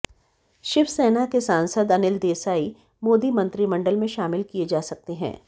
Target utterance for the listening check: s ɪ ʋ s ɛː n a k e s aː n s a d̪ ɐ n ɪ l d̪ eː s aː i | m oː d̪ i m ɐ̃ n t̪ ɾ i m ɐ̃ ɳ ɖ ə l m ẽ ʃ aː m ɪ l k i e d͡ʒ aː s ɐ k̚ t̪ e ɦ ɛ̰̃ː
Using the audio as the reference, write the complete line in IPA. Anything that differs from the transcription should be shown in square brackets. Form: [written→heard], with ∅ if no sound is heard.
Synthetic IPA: [s→ʃ] ɪ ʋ s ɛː n a k e s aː n s [a→ə] d̪ ɐ n ɪ l d̪ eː s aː i | m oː d̪ i m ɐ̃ n t̪ ɾ i m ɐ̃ ɳ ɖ ə l m ẽ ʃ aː m ɪ l k i e d͡ʒ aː s ɐ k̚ t̪ e ɦ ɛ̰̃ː